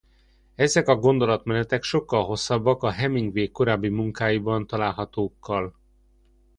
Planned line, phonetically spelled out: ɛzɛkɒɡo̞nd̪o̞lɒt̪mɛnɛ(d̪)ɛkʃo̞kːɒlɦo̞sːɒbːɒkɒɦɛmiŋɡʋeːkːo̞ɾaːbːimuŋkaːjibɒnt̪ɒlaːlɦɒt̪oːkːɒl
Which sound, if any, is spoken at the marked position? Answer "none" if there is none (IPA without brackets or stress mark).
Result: t̪